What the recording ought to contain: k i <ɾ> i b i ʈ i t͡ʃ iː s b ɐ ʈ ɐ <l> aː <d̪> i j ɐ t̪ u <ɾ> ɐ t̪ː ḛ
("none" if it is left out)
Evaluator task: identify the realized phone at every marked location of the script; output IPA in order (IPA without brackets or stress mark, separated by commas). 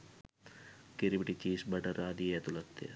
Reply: ɾ, ɾ, d̪, l